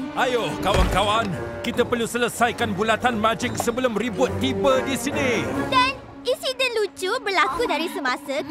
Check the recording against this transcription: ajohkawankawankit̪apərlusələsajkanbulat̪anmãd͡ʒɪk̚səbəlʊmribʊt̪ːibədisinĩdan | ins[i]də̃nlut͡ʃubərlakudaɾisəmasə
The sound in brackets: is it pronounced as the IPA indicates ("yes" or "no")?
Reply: yes